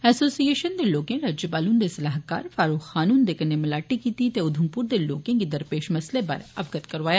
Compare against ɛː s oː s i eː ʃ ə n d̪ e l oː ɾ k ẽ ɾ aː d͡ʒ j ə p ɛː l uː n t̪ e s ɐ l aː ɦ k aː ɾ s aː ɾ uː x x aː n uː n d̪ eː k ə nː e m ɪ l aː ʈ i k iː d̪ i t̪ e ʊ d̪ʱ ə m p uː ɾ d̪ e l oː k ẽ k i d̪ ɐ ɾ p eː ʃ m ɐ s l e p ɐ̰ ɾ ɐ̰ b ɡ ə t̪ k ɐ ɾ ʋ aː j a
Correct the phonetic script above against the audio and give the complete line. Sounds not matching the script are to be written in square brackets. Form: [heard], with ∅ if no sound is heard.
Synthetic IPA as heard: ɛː s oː s i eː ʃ ə n d̪ e l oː [∅] k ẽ ɾ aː d͡ʒ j ə p [aː] l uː n [d̪] e s ɐ l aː ɦ k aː ɾ [f] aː ɾ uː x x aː n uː n d̪ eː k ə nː e m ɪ l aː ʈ i k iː [t̪] i t̪ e ʊ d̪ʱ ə m p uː ɾ d̪ e l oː k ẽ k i d̪ ɐ ɾ p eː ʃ m ɐ s l e p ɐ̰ ɾ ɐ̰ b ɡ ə t̪ k ɐ ɾ ʋ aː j a

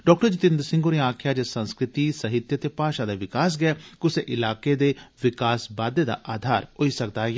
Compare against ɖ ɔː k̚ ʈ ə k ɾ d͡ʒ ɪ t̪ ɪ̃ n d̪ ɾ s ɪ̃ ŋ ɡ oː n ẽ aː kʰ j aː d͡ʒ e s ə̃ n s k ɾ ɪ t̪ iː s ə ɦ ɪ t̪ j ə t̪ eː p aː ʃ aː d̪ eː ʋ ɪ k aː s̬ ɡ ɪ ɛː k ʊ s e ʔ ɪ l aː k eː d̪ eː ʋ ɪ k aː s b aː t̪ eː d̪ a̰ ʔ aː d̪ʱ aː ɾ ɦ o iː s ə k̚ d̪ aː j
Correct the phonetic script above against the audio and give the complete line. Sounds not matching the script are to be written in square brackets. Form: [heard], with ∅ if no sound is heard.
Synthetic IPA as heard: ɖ ɔː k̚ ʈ ə [∅] ɾ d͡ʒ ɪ t̪ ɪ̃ n d̪ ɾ s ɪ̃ ŋ ɡ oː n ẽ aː kʰ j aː d͡ʒ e s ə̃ n s k ɾ ɪ t̪ iː s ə ɦ ɪ t̪ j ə t̪ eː p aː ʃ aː d̪ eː ʋ ɪ k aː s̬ ɡ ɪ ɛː k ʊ s e ʔ ɪ l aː k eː d̪ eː ʋ ɪ k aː s b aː [d̪] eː d̪ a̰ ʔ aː d̪ʱ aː ɾ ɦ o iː s ə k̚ d̪ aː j

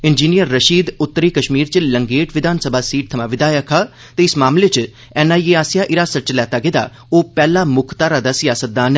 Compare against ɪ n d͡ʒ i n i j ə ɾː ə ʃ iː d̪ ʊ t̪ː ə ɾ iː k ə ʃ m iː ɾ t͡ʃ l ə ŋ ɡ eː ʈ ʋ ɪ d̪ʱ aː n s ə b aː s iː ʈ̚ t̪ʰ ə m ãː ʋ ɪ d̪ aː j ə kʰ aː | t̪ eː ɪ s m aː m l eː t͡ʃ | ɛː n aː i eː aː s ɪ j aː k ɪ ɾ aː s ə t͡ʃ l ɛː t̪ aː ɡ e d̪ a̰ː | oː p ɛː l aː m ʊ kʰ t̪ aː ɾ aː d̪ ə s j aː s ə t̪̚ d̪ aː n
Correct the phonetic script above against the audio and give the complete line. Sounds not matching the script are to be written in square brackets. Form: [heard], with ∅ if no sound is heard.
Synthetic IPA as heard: ɪ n d͡ʒ [iː] n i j ə ɾː ə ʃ iː d̪ ʊ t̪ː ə ɾ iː k ə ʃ m iː ɾ t͡ʃ l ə ŋ ɡ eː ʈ ʋ ɪ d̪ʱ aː n s ə b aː s iː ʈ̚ t̪ʰ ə m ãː ʋ ɪ d̪ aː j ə kʰ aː | t̪ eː ɪ s m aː m l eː t͡ʃ | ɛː n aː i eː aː s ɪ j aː [ʔ] ɪ ɾ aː s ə t͡ʃ l ɛː t̪ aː ɡ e d̪ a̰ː | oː p ɛː l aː m ʊ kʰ t̪ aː ɾ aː d̪ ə s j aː s ə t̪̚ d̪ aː n

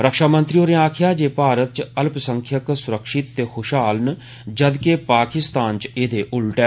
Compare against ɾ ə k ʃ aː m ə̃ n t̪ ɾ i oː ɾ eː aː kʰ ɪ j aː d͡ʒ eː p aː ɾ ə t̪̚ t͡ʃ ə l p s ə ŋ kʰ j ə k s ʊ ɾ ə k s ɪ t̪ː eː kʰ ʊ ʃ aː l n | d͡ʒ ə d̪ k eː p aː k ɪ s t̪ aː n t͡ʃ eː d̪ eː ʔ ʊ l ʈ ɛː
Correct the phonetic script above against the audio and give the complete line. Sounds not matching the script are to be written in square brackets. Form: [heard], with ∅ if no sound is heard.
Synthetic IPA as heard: ɾ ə k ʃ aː m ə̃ n t̪ ɾ i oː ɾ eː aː kʰ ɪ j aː d͡ʒ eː p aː ɾ ə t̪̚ t͡ʃ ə l p s ə ŋ kʰ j ə k s ʊ ɾ ə k [ʃ] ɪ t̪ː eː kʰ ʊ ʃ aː l n | d͡ʒ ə d̪ k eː p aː k ɪ s t̪ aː n t͡ʃ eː d̪ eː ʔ ʊ l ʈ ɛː

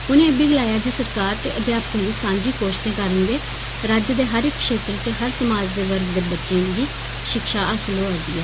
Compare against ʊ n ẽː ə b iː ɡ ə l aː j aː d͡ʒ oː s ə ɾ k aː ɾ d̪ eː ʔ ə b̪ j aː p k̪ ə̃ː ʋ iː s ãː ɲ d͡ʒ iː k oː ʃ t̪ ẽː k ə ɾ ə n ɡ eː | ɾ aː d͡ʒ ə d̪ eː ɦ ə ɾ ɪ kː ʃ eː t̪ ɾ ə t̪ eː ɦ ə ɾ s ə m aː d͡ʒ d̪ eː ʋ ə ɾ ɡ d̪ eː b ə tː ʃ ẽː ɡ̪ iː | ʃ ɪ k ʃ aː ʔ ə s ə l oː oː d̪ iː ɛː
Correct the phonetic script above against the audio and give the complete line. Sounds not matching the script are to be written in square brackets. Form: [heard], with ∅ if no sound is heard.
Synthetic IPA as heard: ʊ n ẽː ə b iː ɡ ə l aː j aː d͡ʒ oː s ə ɾ k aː ɾ [t̪] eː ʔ ə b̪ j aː p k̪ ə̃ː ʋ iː s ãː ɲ d͡ʒ iː k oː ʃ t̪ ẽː k ə ɾ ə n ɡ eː | ɾ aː d͡ʒ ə d̪ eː ɦ ə ɾ ɪ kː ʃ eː t̪ ɾ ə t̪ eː ɦ ə ɾ s ə m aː d͡ʒ d̪ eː ʋ ə ɾ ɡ d̪ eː b ə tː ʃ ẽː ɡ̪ iː | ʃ ɪ k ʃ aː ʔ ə s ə l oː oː d̪ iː ɛː

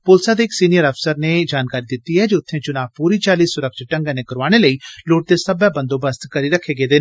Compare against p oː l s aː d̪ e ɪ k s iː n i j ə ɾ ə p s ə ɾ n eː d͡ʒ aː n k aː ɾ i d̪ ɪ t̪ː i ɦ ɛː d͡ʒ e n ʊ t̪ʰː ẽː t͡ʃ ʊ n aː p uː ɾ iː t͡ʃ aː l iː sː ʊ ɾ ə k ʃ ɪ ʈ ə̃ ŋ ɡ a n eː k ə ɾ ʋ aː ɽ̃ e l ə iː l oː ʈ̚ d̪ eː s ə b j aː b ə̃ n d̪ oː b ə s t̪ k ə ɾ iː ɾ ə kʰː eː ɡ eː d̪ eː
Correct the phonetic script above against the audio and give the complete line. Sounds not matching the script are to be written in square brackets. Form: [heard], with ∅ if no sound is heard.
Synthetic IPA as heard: p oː l s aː d̪ e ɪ k s iː n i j ə ɾ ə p s ə ɾ n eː d͡ʒ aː n k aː ɾ i d̪ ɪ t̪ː i ɦ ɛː d͡ʒ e [∅] ʊ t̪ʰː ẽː t͡ʃ ʊ n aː p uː ɾ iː t͡ʃ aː l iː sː ʊ ɾ ə k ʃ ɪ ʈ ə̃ ŋ ɡ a n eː k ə ɾ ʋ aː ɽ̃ e l ə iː l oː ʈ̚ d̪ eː s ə b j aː b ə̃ n d̪ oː b ə s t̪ k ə ɾ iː ɾ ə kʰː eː ɡ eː d̪ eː

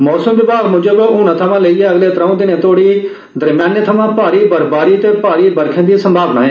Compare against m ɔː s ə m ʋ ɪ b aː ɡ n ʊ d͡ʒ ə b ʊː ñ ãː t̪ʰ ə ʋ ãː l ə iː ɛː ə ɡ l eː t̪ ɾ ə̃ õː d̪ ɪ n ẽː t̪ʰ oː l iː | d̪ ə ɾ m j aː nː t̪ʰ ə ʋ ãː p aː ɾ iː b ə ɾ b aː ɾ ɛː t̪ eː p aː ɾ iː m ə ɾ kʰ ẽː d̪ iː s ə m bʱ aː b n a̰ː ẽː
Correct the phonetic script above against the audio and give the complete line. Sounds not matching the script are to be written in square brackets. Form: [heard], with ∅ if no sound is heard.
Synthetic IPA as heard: m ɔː s ə m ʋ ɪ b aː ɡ [m] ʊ d͡ʒ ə b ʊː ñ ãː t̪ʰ ə ʋ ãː l ə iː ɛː ə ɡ l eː t̪ ɾ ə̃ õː d̪ ɪ n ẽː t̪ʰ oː [ɽ] iː | d̪ ə ɾ m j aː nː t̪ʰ ə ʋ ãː p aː ɾ iː b ə ɾ b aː ɾ [iː] t̪ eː p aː ɾ iː [b] ə ɾ kʰ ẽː d̪ iː s ə m bʱ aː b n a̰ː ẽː

